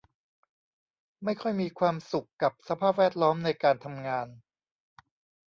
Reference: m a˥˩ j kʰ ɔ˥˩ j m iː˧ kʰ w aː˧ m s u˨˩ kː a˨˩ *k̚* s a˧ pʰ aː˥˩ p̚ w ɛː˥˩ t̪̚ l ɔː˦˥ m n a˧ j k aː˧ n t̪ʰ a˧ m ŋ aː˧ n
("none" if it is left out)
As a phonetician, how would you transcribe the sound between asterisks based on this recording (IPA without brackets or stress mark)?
p̚